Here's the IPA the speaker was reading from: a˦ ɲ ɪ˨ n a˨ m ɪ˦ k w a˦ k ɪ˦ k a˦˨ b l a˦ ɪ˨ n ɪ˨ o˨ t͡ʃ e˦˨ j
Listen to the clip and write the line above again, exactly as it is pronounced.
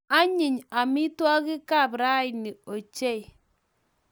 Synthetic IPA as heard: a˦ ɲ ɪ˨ ɲ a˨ m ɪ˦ t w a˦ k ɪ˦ k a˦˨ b ɾ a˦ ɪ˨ n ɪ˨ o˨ t͡ʃ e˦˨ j